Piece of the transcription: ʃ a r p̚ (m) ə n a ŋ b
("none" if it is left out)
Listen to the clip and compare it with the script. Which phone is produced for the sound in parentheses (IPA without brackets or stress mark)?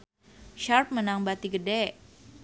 m